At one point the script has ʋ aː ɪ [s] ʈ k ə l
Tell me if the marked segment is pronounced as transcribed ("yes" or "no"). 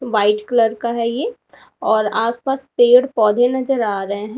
no